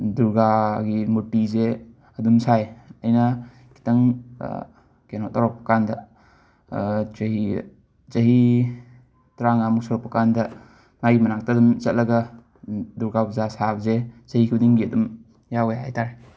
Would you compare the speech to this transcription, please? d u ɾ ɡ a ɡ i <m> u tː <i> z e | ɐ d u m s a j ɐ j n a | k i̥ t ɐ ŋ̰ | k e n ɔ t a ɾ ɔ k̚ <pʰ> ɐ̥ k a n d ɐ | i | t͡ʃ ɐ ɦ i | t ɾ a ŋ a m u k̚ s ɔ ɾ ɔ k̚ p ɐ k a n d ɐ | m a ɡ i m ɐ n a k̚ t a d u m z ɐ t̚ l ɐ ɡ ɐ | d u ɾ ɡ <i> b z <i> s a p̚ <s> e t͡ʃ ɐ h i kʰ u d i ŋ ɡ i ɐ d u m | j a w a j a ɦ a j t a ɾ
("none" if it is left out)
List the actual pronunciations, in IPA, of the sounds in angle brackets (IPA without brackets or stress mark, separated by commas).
m, i, p, a, a, z